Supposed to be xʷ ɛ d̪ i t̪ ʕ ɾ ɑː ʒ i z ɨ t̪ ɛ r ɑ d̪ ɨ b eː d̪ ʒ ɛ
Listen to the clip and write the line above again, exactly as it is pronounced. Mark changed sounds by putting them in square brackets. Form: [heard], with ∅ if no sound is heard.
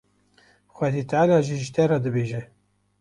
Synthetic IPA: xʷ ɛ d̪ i t̪ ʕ [l] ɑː ʒ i [ʒ] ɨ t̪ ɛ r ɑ d̪ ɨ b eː [∅] ʒ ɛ